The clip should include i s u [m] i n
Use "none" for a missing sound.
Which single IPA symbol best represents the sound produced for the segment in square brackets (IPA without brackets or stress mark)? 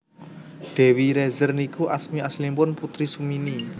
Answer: m